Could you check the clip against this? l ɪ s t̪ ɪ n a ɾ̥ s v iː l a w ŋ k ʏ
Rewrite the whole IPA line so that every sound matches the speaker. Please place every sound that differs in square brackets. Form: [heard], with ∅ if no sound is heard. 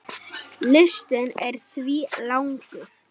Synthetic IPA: l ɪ s t̪ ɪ n [ɛ] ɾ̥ [θ] v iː l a w ŋ k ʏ